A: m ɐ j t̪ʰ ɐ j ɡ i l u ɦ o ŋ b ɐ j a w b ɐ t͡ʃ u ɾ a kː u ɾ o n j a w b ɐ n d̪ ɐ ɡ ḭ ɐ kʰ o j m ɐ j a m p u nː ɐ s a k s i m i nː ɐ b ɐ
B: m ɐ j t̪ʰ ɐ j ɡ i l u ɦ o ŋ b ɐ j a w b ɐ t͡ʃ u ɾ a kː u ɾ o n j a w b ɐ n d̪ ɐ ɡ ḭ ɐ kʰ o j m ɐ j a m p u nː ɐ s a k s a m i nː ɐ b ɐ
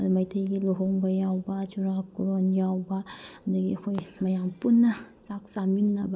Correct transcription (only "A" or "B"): B